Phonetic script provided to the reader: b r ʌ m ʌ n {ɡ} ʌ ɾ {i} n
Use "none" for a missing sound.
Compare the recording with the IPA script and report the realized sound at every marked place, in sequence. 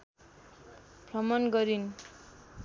ɡ, i

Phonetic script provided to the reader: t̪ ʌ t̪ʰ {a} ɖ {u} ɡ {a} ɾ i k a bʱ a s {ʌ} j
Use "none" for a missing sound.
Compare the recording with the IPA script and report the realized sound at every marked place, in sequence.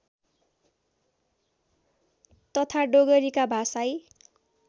a, o, ʌ, a

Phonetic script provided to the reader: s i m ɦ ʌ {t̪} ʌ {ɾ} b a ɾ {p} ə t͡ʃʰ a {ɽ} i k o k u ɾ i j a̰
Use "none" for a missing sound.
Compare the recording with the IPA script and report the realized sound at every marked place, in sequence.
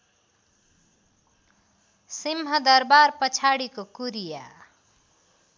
d̪, ɾ, p, ɽ

